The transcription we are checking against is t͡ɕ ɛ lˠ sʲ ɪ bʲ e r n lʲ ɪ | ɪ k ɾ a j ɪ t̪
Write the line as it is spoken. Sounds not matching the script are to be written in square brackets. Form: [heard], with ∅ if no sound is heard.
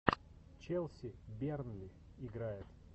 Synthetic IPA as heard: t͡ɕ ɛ lˠ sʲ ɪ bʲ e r n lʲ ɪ | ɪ [ɡ] ɾ a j ɪ t̪